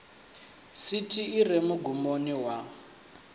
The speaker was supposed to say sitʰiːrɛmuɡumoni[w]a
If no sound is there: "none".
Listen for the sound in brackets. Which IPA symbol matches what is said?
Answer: w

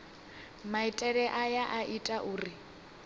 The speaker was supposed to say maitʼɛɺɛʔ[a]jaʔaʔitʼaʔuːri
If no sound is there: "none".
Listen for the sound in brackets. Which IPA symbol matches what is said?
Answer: a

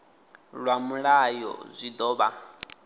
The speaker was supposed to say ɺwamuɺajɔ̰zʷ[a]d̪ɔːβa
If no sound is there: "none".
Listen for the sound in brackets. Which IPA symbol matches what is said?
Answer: i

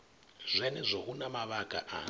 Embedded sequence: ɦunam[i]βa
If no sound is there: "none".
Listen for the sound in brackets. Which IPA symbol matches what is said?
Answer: a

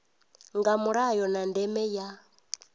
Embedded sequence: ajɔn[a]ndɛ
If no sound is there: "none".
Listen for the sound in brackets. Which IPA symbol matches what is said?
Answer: a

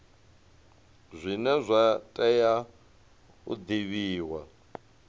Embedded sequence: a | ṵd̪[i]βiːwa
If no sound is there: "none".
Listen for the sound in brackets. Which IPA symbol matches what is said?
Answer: i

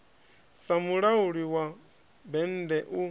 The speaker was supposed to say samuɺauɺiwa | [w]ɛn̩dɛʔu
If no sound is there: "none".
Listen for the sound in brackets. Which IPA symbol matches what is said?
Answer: b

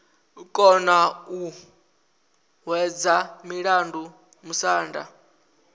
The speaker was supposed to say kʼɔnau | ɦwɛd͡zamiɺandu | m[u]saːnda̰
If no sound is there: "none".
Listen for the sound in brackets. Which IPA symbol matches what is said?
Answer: u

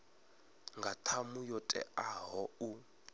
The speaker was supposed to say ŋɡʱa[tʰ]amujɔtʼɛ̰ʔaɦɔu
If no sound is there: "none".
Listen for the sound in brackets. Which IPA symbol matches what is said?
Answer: tʰ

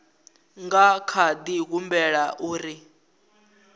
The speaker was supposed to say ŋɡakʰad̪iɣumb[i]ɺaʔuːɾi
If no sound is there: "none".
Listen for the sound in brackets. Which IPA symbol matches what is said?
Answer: ɛ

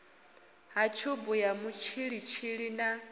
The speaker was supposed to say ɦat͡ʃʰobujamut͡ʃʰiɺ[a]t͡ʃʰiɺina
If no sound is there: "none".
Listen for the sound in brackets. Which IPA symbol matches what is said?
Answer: i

